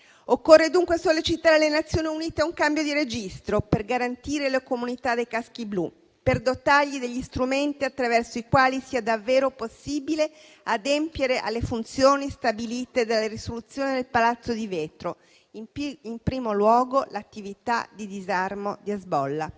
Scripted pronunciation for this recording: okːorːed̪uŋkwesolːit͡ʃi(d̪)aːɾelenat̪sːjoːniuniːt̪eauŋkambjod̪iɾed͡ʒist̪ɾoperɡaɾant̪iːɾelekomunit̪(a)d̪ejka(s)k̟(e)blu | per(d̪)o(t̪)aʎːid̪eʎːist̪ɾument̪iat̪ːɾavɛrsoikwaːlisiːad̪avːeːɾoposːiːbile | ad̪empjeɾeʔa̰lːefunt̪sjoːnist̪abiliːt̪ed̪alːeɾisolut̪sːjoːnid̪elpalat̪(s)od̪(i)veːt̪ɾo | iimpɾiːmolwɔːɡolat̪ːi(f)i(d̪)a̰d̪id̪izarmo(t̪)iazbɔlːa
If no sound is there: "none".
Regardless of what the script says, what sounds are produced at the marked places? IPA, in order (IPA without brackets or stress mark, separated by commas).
t̪, a, s, i, d̪, t̪, sː, i, v, t̪, d̪